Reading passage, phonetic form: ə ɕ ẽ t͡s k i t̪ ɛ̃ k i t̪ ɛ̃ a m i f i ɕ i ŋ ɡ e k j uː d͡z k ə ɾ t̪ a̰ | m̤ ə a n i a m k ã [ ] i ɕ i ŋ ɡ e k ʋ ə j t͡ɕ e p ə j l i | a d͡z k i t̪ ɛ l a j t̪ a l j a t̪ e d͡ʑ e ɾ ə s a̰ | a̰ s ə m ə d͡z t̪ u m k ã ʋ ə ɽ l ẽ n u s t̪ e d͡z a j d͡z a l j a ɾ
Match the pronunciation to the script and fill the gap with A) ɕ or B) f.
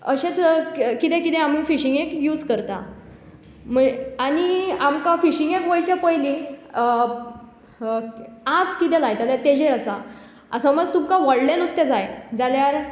B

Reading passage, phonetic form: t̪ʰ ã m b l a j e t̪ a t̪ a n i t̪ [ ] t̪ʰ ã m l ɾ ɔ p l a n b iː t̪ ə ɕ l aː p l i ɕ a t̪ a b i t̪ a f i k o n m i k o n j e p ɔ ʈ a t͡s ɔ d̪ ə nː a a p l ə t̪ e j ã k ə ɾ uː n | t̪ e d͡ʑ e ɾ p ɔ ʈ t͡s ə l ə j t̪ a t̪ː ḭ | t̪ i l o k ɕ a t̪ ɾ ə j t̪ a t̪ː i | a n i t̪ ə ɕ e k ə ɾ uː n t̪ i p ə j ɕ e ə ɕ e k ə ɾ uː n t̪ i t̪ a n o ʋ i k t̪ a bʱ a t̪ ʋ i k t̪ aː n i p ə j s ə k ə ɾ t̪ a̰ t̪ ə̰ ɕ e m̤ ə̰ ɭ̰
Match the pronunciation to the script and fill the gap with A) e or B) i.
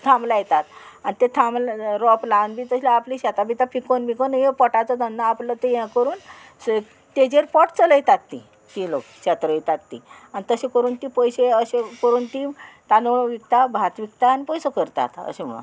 A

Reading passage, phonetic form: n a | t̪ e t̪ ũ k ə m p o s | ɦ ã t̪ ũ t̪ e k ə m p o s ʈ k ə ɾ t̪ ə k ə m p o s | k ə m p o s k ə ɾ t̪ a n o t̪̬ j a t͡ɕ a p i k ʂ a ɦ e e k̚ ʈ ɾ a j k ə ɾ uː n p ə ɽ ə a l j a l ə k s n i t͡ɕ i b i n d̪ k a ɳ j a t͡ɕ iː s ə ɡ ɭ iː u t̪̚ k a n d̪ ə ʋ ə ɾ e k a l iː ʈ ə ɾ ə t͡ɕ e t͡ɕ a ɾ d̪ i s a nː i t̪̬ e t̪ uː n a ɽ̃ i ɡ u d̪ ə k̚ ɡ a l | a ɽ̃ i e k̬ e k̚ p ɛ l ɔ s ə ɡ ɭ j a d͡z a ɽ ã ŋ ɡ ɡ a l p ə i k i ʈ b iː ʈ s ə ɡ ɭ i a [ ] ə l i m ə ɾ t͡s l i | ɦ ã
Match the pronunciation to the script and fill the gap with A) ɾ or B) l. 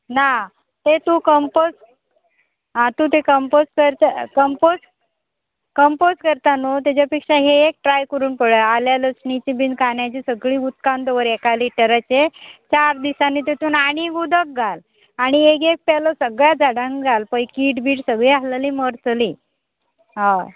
B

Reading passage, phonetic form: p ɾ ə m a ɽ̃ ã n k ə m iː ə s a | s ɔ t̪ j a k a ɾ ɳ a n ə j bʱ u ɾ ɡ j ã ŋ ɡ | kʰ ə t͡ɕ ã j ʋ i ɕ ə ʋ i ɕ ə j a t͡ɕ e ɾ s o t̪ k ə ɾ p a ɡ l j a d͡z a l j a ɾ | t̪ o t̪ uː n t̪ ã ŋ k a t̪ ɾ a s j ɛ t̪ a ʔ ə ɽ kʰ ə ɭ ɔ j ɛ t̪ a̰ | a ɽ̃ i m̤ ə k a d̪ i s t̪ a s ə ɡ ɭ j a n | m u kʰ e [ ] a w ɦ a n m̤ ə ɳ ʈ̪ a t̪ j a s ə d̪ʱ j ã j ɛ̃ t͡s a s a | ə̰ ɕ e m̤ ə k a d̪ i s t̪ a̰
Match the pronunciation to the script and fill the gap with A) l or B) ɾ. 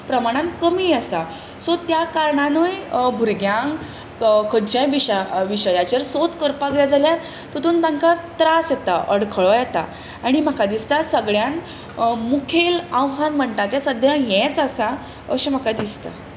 A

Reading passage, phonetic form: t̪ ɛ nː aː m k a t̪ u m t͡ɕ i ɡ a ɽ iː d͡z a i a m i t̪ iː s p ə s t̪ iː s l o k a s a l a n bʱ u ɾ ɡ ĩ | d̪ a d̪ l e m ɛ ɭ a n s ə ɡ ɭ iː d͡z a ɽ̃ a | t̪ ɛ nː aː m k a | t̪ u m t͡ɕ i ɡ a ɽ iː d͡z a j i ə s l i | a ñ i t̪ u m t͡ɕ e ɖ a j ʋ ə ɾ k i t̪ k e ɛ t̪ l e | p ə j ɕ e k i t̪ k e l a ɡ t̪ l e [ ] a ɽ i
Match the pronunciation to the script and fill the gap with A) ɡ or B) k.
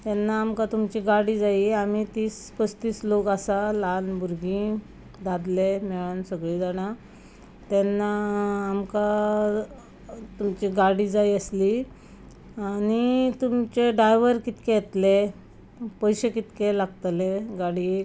A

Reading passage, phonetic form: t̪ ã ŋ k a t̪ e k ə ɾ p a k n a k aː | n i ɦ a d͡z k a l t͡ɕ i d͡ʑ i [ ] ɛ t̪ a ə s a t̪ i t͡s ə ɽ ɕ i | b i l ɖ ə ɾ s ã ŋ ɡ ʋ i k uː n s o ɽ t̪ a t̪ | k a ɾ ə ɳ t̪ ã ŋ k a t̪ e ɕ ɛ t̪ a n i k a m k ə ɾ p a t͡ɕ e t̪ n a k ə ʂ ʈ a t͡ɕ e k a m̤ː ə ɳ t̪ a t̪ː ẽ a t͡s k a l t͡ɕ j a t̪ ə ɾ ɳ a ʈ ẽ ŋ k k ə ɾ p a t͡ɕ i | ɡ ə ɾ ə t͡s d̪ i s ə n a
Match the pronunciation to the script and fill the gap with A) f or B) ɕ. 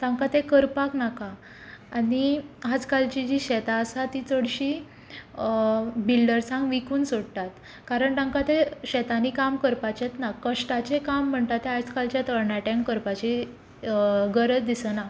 B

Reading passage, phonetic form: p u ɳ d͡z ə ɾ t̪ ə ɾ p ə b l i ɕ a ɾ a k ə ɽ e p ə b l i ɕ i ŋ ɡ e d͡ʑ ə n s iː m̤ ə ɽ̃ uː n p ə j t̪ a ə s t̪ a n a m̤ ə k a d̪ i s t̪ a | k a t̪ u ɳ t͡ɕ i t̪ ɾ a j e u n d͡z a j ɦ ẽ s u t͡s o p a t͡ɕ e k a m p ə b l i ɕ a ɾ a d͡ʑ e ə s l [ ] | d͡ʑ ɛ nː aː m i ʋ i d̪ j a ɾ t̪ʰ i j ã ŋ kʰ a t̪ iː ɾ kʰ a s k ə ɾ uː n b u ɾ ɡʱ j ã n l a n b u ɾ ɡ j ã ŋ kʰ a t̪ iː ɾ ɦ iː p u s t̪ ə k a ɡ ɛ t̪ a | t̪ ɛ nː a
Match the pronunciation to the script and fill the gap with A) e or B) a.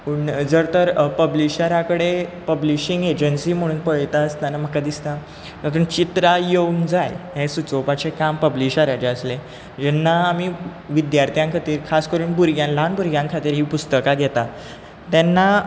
A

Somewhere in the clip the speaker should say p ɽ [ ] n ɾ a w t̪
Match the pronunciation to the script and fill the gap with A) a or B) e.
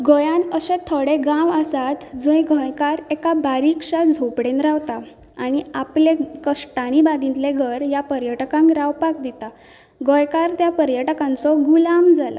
B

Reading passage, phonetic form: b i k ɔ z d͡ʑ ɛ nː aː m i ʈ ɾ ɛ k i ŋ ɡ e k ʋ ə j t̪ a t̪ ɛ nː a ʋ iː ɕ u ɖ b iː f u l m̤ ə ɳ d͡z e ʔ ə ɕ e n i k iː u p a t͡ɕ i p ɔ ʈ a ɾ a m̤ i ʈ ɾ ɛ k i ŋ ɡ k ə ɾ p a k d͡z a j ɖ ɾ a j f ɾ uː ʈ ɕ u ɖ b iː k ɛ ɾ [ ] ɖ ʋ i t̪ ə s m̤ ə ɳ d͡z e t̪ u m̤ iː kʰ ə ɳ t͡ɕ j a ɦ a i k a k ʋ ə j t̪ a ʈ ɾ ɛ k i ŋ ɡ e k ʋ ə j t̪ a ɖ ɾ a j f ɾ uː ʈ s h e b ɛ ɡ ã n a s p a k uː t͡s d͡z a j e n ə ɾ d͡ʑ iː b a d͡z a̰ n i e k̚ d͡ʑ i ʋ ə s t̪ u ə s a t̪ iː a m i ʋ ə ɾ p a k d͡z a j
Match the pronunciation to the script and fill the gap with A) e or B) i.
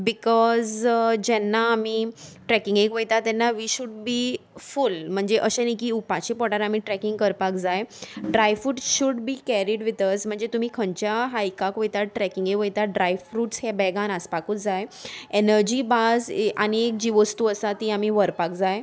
B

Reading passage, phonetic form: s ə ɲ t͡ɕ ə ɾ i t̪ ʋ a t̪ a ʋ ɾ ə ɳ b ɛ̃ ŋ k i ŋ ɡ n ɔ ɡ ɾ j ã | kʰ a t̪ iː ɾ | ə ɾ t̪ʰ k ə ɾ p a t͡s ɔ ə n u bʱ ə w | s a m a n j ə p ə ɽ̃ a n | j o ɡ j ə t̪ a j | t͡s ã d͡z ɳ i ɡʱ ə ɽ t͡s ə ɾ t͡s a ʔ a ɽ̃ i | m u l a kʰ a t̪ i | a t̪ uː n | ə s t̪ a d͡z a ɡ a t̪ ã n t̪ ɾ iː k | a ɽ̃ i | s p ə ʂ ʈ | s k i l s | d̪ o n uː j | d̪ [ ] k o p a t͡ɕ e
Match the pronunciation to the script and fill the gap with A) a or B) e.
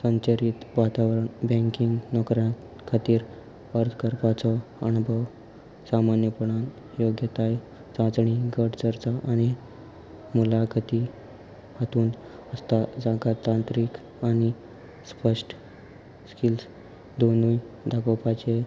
A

